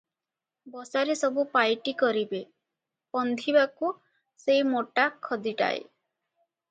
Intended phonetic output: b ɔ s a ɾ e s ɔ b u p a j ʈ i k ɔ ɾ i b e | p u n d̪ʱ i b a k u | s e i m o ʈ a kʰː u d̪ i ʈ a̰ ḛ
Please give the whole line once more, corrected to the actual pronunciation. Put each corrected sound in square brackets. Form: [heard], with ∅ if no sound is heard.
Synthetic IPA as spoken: b ɔ s a ɾ e s ɔ b u p a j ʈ i k ɔ ɾ i b e | p [ɔ] n d̪ʱ i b a k u | s e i m o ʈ a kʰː [ɔ] d̪ i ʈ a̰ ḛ

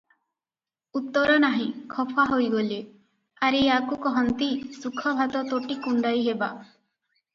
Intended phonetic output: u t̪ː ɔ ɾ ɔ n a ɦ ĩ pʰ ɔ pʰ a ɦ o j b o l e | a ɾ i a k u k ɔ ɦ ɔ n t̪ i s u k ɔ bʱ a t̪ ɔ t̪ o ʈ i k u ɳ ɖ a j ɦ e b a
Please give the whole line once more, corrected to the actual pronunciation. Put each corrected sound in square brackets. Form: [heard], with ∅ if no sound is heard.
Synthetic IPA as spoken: u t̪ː ɔ ɾ ɔ n a ɦ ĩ [kʰ] ɔ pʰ a ɦ o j [ɡ] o l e | a ɾ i a k u k ɔ ɦ ɔ n t̪ i s u [kʰ] ɔ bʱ a t̪ ɔ t̪ o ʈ i k u ɳ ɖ a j ɦ e b a

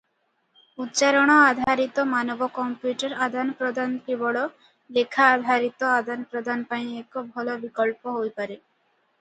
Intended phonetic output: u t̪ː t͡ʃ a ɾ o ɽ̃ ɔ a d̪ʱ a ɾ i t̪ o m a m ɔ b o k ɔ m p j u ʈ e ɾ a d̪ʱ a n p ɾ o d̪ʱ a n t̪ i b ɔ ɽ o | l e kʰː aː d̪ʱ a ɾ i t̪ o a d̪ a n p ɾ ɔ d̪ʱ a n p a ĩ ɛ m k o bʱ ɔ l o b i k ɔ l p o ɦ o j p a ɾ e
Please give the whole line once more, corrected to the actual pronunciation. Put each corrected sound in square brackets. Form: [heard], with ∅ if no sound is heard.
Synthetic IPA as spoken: u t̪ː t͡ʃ a ɾ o ɽ̃ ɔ a d̪ʱ a ɾ i t̪ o m a [n] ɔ b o k ɔ m p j u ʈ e ɾ a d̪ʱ a n p ɾ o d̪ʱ a n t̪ i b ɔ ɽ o | l e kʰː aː d̪ʱ a ɾ i t̪ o a d̪ a n p ɾ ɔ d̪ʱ a n p a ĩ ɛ [∅] k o bʱ ɔ l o b i k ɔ l p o ɦ o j p a ɾ e

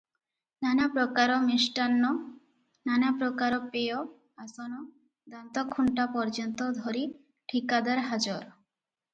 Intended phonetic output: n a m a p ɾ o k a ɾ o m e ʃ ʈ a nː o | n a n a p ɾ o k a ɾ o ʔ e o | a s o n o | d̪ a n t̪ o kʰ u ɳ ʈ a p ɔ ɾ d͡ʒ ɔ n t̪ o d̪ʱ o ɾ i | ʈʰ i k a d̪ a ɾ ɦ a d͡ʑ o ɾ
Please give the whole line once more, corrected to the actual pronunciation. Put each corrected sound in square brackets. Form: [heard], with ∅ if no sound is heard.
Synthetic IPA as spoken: n a [n] a p ɾ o k a ɾ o m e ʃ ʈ a nː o | n a n a p ɾ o k a ɾ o [p] e o | a s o n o | d̪ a n t̪ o kʰ u ɳ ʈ a p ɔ ɾ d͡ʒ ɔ n t̪ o d̪ʱ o ɾ i | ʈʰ i k a d̪ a ɾ ɦ a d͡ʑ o ɾ

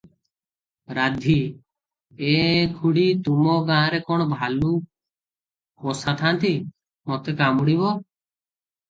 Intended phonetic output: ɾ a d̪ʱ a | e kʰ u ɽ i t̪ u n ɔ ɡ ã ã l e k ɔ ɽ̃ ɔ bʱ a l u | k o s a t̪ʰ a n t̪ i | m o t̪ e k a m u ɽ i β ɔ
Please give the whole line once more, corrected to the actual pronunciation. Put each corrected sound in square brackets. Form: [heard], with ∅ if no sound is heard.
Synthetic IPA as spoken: ɾ a d̪ʱ [i] | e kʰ u ɽ i t̪ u [m] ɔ ɡ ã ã [ɾ] e k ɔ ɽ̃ ɔ bʱ a l u | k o s a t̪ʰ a n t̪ i | m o t̪ e k a m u ɽ i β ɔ

